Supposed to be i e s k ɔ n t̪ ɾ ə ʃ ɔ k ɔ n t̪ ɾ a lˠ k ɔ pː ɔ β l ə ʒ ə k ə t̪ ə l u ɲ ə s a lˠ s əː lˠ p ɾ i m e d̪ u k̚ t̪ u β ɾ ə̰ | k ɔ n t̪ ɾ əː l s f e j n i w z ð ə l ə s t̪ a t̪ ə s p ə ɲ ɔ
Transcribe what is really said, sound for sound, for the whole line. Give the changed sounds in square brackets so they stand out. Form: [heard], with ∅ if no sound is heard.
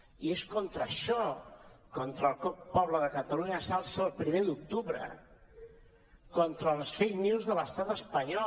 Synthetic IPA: i e s k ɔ n t̪ ɾ ə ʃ ɔ k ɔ n t̪ ɾ [ə] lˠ k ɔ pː ɔ β l ə [ð] ə k ə t̪ ə l u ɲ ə s a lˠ s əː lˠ p ɾ i m e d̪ u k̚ t̪ u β ɾ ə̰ | k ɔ n t̪ ɾ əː l s f e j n i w z ð ə l ə s t̪ a t̪ ə s p ə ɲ ɔ